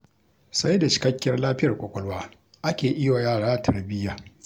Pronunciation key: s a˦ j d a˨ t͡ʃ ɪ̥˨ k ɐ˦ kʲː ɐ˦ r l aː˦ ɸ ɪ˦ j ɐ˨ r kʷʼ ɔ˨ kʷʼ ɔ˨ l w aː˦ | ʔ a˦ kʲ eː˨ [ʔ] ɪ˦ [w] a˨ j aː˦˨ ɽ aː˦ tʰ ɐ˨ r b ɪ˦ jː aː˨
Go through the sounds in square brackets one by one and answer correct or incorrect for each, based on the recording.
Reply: correct, correct

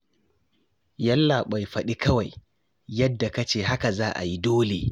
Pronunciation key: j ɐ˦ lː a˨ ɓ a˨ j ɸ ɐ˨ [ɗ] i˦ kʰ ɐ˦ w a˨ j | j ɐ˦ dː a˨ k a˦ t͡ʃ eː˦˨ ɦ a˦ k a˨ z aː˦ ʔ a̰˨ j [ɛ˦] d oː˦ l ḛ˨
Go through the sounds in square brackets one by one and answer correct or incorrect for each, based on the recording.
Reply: correct, incorrect: i˦

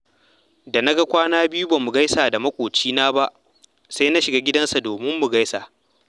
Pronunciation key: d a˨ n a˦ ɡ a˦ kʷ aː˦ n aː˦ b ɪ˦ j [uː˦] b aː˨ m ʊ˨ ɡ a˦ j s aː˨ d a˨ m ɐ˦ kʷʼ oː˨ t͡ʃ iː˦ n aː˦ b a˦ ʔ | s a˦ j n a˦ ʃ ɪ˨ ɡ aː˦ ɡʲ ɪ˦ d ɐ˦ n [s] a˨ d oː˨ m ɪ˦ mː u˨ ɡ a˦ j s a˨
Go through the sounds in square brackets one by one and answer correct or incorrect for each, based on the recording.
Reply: incorrect: u˦, correct

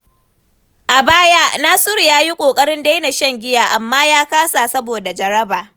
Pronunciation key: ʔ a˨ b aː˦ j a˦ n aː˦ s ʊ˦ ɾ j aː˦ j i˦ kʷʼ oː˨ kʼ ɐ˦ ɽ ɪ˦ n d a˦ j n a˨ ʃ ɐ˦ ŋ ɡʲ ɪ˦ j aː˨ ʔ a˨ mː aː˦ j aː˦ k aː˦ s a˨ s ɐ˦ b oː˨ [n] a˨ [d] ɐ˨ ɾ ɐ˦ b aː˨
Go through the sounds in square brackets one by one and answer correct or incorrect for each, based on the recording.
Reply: incorrect: d, incorrect: d͡ʒ

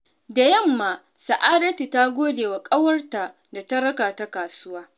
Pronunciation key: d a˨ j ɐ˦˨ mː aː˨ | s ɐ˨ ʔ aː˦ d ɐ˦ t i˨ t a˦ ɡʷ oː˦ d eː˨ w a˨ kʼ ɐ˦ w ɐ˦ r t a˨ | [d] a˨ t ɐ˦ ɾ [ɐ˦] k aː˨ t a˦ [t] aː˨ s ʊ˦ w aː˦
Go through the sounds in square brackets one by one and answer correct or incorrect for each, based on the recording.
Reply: correct, correct, incorrect: k

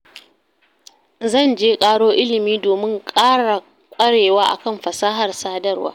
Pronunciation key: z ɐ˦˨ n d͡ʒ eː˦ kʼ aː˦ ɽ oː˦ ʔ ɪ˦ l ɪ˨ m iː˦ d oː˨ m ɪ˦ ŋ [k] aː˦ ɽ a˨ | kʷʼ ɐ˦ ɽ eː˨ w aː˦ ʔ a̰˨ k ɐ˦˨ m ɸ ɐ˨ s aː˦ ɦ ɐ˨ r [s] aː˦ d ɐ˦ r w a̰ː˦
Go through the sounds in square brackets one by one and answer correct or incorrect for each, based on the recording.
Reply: incorrect: kʼ, correct

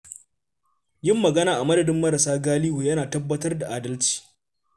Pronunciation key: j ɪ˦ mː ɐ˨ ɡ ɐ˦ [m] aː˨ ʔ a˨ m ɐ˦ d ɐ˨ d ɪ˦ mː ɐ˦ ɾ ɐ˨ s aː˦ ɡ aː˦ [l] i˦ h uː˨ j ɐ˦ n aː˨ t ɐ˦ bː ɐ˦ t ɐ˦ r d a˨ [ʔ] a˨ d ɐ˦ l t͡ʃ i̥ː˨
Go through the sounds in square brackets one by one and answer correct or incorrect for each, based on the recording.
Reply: incorrect: n, correct, correct

